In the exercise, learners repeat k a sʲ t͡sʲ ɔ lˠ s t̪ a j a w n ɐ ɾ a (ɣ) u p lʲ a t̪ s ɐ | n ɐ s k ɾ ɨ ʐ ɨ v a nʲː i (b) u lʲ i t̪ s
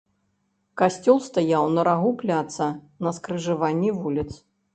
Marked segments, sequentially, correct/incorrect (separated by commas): correct, incorrect